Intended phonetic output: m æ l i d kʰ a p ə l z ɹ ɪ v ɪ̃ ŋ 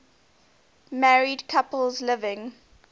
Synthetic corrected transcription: m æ ɹ i d kʰ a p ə l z l ɪ v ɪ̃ ŋ